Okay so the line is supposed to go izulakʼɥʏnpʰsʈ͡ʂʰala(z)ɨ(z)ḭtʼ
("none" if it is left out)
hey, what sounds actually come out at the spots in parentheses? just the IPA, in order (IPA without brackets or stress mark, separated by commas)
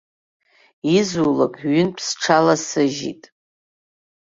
s, ʒ